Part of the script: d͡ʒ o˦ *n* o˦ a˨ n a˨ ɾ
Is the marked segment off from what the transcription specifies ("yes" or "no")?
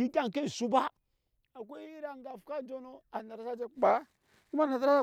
no